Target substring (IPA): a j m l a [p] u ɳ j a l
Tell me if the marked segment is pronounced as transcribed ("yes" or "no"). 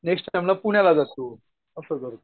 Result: yes